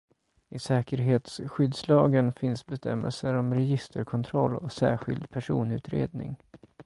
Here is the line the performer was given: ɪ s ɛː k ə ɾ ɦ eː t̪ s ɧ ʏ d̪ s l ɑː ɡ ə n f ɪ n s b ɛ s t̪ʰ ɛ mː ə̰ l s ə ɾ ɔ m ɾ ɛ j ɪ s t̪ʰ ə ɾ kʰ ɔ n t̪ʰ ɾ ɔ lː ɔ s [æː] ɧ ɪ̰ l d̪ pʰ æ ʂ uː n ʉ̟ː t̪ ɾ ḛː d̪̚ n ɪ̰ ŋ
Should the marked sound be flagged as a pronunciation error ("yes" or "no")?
no